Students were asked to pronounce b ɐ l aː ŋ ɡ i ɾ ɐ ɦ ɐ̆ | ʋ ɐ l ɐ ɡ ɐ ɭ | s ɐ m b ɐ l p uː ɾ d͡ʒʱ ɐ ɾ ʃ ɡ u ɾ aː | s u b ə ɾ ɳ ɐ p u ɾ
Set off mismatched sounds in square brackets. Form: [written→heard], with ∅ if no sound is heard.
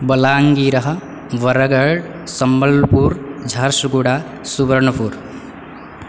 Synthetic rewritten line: b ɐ l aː ŋ ɡ i ɾ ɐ ɦ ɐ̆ | ʋ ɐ [l→ɾ] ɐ ɡ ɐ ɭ | s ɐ m b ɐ l p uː ɾ d͡ʒʱ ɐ ɾ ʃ ɡ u [ɾ→ɽ] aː | s u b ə ɾ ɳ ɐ p u ɾ

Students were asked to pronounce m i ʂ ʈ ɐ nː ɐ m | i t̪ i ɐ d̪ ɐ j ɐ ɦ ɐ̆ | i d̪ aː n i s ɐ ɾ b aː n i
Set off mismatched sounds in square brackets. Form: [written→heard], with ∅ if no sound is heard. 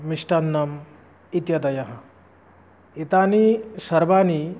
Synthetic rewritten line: m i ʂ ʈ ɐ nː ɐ m | i t̪ [i→j] ɐ d̪ ɐ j ɐ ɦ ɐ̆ | i [d̪→t̪] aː n i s ɐ ɾ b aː n i

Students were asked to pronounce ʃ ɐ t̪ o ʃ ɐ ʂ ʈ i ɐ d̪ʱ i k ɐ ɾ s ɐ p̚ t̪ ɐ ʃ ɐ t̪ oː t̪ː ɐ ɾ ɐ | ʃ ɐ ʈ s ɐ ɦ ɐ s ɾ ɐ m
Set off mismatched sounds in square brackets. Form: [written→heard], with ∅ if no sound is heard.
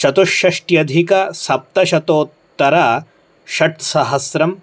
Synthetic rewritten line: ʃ ɐ t̪ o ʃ ɐ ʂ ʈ [i→j] ɐ d̪ʱ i k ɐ [ɾ→∅] s ɐ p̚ t̪ ɐ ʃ ɐ t̪ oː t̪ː ɐ ɾ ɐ | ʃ ɐ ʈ s ɐ ɦ ɐ s ɾ ɐ m

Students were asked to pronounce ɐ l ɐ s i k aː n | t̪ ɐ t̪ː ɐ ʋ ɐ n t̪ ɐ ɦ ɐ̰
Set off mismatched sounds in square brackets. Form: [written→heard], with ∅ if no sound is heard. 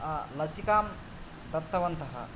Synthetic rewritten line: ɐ l ɐ s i k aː [n→m] | [t̪→d̪] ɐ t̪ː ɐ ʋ ɐ n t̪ ɐ ɦ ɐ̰

